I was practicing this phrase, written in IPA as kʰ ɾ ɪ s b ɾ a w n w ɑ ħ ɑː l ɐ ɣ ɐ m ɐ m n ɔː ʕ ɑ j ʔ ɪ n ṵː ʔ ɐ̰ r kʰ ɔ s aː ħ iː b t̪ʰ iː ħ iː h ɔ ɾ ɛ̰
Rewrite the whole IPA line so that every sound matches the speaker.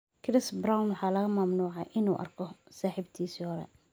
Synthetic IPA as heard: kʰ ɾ ɪ s b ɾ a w n w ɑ ħ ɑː l ɐ ɣ ɐ m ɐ m n uː ʕ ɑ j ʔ ɪ n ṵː ʔ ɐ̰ r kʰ ɔ s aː ħ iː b t̪ʰ iː s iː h ɔ ɾ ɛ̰